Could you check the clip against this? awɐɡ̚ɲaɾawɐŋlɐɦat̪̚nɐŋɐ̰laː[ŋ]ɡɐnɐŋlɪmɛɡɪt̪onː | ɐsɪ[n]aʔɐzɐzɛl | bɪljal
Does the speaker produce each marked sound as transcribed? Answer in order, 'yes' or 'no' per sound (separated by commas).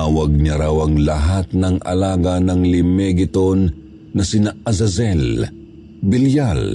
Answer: no, yes